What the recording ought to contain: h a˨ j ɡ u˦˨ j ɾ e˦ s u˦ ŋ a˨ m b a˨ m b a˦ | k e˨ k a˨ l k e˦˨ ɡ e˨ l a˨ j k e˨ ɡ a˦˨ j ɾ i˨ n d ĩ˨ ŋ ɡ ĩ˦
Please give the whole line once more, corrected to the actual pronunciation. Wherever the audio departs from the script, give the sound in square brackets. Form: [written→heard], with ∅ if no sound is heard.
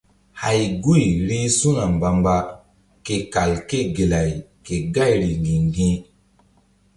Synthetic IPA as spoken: h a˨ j ɡ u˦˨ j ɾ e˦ s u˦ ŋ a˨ m b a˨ m b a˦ | k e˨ k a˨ l k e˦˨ ɡ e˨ l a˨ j k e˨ ɡ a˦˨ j ɾ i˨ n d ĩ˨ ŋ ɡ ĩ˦